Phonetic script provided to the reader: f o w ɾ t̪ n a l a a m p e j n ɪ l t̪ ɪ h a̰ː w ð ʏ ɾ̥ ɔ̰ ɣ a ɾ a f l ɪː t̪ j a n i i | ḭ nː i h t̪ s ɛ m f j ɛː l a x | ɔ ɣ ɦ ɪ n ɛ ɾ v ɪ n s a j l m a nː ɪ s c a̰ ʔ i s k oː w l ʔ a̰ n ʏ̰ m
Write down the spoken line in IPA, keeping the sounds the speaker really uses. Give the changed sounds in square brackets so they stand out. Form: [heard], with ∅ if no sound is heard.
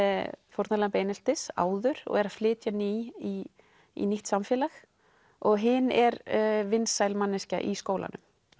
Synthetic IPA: f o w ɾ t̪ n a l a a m p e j n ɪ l t̪ ɪ [s] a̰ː w ð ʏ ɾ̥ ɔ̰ ɣ [ɛ] ɾ a f l ɪː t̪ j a n i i | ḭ [n] i h t̪ s [a] m f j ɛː l a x | ɔ ɣ ɦ ɪ n ɛ ɾ v ɪ n s a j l m a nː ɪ s c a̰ ʔ i s k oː w l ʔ a̰ n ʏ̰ m